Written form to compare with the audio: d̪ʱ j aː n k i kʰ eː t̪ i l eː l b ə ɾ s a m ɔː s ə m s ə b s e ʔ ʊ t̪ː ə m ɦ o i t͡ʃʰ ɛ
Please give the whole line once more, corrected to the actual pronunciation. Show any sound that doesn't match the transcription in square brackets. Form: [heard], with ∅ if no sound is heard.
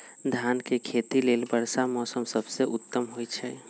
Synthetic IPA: d̪ʱ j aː n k [e] kʰ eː t̪ i l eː l b ə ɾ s a m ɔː s ə m s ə b s e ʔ ʊ t̪ː ə m ɦ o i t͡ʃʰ ɛ

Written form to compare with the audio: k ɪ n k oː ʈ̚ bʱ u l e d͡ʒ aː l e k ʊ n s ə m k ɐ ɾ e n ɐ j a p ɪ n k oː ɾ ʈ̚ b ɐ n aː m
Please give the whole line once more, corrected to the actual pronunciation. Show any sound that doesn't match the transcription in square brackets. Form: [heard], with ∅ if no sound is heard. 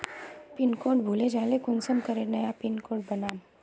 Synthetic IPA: [p] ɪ n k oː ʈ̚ bʱ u l e d͡ʒ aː l e k ʊ n s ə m k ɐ ɾ e n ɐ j a p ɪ n k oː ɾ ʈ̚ b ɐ n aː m

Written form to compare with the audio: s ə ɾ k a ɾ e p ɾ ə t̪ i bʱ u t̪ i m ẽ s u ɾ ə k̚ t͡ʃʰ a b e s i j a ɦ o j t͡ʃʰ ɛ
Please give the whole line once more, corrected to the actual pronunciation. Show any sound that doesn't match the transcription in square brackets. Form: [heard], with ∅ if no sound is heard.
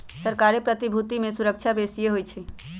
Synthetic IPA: s ə ɾ k a ɾ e p ɾ ə t̪ i bʱ u t̪ i m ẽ s u ɾ ə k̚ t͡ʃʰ a b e s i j [e] ɦ o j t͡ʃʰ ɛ

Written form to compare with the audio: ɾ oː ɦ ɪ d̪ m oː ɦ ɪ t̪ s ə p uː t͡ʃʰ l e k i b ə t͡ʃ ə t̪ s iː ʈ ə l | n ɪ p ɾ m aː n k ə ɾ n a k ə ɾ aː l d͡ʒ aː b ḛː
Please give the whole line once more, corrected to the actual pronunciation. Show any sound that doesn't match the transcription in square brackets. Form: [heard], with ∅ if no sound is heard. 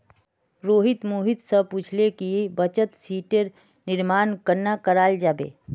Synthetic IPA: ɾ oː ɦ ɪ [t̪] m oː ɦ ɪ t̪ s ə p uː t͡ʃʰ l e k i b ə t͡ʃ ə t̪ s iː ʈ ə [ɾ] | n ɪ [∅] ɾ m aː n k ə ɾ n a k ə ɾ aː l d͡ʒ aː b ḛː

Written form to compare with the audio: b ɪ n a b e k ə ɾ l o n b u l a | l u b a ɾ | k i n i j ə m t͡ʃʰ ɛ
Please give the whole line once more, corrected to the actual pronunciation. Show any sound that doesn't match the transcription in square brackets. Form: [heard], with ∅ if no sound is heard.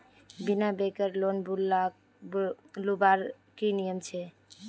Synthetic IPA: b [i] n a b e k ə ɾ l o n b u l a | l u b a ɾ | k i n i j ə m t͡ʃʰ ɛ

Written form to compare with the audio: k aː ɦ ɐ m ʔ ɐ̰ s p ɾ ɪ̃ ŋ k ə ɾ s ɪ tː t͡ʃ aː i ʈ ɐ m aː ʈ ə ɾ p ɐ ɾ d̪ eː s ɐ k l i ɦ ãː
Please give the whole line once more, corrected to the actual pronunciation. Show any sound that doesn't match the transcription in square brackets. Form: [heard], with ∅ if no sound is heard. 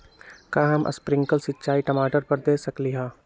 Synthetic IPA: k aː ɦ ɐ m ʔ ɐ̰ s p ɾ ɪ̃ ŋ k ə [l] s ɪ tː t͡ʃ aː i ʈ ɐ m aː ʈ ə ɾ p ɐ ɾ d̪ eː s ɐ k l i ɦ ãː

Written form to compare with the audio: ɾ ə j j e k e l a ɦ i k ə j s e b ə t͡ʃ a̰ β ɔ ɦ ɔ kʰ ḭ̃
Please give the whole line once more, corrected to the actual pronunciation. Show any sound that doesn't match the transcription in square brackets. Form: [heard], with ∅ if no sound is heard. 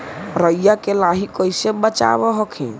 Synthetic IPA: ɾ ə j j [a] k e l a ɦ i k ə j s e b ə t͡ʃ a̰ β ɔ ɦ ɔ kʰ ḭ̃

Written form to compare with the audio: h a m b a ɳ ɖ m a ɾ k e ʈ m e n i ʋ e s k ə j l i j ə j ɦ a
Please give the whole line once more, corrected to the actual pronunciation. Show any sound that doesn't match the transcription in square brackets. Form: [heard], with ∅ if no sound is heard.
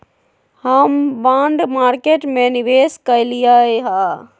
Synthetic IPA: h [ə] m b a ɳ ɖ m a ɾ k e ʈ m e n i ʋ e s k ə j l i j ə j ɦ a

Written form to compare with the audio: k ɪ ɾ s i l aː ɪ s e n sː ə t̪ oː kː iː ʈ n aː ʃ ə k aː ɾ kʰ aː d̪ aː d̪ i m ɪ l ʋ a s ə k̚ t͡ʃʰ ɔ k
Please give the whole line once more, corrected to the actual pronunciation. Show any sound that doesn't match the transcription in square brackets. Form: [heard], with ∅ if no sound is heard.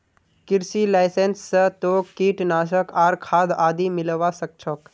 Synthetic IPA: k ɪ ɾ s i l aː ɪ s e n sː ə t̪ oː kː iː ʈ n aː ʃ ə k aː ɾ kʰ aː d̪ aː d̪ i m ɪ l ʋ a s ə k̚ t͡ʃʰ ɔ k

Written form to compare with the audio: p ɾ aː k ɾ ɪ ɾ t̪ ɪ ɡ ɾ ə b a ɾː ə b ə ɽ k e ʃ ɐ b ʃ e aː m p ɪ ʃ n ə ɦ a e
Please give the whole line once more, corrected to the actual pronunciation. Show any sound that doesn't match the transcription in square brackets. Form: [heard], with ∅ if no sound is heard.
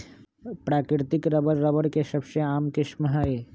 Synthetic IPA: p ɾ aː k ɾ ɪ ɾ t̪ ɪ [k] ɾ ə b [ə] ɾː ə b ə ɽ k e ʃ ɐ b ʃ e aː m [k] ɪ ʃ [m] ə ɦ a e

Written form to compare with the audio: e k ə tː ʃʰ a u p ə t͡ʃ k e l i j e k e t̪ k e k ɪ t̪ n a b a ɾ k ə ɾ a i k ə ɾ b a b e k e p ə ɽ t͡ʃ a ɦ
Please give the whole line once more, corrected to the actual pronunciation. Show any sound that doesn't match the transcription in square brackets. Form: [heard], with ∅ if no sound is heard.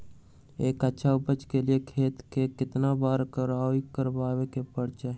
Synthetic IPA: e k ə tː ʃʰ a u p ə t͡ʃ k e l i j e [kʰ] e t̪ k e k ɪ t̪ n a b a ɾ k ə ɾ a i k ə ɾ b a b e k e p ə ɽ t͡ʃ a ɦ

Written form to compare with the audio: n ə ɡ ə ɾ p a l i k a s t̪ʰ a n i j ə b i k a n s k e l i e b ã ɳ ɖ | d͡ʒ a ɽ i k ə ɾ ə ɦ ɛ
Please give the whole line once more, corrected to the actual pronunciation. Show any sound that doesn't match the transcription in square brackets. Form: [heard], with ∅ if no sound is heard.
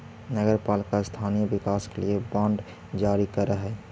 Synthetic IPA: n ə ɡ ə ɾ p a l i k a s t̪ʰ a n i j ə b i k a [∅] s k e l i e b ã ɳ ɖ | d͡ʒ a [ɾ] i k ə ɾ ə ɦ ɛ

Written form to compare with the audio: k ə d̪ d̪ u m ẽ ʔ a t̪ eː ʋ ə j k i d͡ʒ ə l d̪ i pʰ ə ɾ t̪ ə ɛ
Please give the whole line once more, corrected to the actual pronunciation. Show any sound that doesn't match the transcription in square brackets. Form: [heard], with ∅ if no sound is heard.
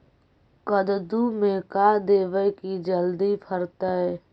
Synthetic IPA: k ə d̪ d̪ u m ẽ [k] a [d̪] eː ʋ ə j k i d͡ʒ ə l d̪ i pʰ ə ɾ t̪ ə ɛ

